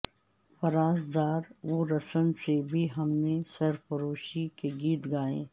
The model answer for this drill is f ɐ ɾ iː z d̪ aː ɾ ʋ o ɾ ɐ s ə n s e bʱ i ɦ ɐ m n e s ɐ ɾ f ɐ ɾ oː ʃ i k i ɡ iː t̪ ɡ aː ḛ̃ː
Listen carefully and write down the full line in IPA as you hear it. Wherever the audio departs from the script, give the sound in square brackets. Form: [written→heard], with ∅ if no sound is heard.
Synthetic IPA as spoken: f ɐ ɾ [iː→aː] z d̪ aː ɾ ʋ o ɾ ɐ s ə n s e bʱ i ɦ ɐ m n e s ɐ ɾ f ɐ ɾ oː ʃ i k [i→e] ɡ iː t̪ ɡ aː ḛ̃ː

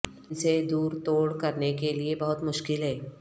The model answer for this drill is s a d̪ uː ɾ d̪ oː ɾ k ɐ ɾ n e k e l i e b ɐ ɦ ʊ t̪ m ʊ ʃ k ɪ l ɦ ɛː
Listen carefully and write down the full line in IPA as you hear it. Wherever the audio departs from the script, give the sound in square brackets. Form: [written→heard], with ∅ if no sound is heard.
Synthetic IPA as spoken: s [a→e] d̪ uː ɾ [d̪→t̪] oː [ɾ→ɽ] k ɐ ɾ n e k e l i e b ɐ ɦ ʊ t̪ m ʊ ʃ k ɪ l ɦ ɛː

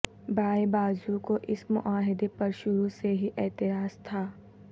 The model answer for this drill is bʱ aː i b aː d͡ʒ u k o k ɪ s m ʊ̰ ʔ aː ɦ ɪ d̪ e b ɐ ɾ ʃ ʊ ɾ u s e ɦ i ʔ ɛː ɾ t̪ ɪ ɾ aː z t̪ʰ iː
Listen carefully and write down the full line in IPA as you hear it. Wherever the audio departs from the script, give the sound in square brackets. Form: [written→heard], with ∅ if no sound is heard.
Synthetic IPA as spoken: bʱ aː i b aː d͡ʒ u k o [k→ʔ] ɪ s m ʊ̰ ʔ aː ɦ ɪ d̪ e [b→p] ɐ ɾ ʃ ʊ ɾ u s e ɦ i ʔ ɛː [ɾ→∅] t̪ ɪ ɾ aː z t̪ʰ [iː→aː]

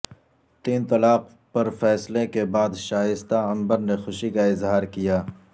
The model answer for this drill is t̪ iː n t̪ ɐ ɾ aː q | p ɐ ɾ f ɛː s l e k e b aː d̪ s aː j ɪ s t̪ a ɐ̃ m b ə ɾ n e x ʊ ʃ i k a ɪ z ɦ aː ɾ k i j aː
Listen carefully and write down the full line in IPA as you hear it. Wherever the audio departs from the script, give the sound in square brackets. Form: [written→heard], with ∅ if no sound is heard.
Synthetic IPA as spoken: t̪ iː n t̪ ɐ [ɾ→l] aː q | p ɐ ɾ f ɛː s l e k e b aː d̪ [s→ʃ] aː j ɪ s t̪ a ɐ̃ m b ə ɾ n e x ʊ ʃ i k a ɪ z ɦ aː ɾ k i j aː

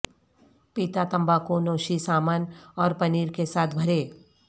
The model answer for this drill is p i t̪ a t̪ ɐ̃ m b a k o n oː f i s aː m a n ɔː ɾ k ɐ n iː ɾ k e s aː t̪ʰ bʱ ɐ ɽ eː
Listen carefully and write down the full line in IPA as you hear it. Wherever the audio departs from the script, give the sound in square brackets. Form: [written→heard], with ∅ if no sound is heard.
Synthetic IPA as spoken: p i t̪ a t̪ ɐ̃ m b a k o n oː [f→ʃ] i s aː m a n ɔː ɾ [k→p] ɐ n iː ɾ k e s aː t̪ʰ bʱ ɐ [ɽ→ɾ] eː

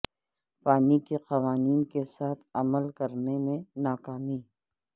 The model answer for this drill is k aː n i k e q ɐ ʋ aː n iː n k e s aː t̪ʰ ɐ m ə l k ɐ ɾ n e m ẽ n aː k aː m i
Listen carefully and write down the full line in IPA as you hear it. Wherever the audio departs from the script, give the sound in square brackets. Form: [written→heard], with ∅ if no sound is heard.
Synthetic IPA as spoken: [k→p] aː n i k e q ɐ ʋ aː n iː n k e s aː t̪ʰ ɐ m ə l k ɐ ɾ n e m ẽ n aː k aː m i

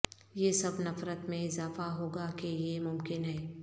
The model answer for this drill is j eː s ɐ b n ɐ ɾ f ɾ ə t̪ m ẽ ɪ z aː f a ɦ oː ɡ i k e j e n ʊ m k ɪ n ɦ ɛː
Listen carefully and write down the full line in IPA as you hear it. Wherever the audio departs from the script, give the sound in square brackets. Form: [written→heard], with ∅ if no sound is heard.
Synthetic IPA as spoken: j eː s ɐ b n ɐ [ɾ→∅] f ɾ ə t̪ m ẽ ɪ z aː f a ɦ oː ɡ [i→a] k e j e [n→m] ʊ m k ɪ n ɦ ɛː

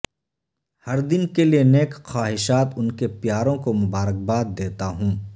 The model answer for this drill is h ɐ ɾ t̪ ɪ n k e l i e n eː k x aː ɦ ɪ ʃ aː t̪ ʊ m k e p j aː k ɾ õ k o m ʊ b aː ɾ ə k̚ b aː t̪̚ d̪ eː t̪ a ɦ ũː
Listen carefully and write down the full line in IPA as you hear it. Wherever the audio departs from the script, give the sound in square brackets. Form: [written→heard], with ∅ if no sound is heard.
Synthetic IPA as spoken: h ɐ ɾ [t̪→d̪] ɪ n k e l i e n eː k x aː ɦ ɪ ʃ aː t̪ ʊ [m→n] k e p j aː [k→∅] ɾ õ k o m ʊ b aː ɾ ə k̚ b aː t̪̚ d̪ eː t̪ a ɦ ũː

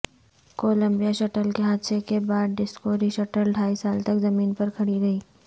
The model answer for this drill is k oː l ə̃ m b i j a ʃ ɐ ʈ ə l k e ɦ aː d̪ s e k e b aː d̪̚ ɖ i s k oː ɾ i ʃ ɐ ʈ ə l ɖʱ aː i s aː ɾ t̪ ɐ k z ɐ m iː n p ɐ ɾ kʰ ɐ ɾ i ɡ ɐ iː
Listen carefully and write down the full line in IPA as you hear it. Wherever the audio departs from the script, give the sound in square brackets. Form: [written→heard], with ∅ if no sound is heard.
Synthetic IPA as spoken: k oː l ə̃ m b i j a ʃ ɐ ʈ ə l k e ɦ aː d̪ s e k e b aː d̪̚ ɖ [i→ɪ] s k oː ɾ i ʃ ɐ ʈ ə l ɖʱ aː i s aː [ɾ→l] t̪ ɐ k z ɐ m iː n p ɐ ɾ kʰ ɐ [ɾ→ɽ] i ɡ ɐ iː

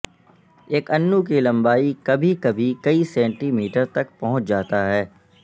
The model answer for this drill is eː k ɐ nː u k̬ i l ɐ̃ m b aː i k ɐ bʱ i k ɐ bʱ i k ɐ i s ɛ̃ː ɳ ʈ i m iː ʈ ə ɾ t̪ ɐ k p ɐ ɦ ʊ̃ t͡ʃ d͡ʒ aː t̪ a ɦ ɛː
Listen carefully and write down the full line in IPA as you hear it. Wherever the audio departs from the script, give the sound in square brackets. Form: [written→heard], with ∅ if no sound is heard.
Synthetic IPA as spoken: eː k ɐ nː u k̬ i l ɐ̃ m b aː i k ɐ bʱ i k ɐ bʱ i k ɐ i s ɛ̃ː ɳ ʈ i m iː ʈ ə ɾ t̪ ɐ k p ɐ ɦ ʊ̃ t͡ʃ d͡ʒ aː t̪ a ɦ ɛː

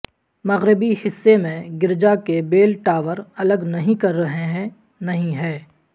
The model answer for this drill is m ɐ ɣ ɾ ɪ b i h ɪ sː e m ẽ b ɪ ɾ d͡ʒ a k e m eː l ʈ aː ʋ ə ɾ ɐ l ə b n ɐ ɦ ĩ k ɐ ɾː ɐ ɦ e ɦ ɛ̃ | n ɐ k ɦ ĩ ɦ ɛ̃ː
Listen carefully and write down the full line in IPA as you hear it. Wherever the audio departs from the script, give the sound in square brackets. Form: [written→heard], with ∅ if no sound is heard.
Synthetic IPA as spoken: m ɐ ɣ ɾ ɪ b i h ɪ sː e m ẽ [b→ɡ] ɪ ɾ d͡ʒ a k e [m→b] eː l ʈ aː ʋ ə ɾ ɐ l ə [b→ɡ] n ɐ ɦ ĩ k ɐ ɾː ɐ ɦ e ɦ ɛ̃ | n ɐ [k→∅] ɦ ĩ ɦ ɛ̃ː

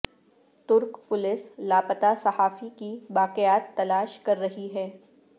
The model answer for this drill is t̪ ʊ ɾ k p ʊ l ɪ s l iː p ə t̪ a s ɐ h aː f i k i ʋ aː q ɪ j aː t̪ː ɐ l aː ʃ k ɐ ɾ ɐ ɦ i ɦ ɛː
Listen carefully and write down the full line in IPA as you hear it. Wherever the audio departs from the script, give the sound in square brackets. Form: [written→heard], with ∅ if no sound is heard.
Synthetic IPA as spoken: t̪ ʊ ɾ k p ʊ l ɪ s l [iː→aː] p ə t̪ a s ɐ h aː f i k i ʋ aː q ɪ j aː t̪ː ɐ l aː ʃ k ɐ [ɾ→ɾː] ɐ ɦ i ɦ ɛː

